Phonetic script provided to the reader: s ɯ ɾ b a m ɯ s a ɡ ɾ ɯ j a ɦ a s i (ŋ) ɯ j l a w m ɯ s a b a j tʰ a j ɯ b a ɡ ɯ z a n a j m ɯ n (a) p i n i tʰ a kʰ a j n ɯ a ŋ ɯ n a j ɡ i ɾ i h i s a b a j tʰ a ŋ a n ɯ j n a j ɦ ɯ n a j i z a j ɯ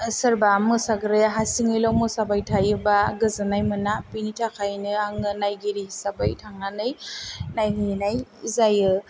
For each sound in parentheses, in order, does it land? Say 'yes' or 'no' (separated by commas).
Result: yes, yes